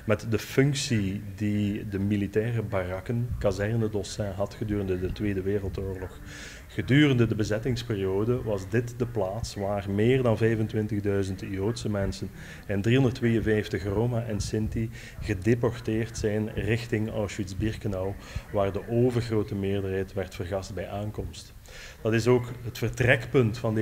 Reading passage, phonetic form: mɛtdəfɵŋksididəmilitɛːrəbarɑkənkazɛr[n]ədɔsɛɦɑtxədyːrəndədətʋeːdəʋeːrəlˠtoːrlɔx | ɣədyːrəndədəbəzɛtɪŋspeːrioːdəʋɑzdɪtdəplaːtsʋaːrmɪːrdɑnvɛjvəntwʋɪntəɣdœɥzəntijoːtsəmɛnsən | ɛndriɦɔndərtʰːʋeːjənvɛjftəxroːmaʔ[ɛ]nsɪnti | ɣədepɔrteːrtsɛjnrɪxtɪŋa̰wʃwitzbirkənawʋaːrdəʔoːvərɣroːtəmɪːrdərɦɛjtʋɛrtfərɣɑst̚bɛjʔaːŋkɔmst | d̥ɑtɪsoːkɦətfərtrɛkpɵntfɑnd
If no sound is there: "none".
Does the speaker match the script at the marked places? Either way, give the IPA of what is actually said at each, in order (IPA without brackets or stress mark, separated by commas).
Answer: n, ɛ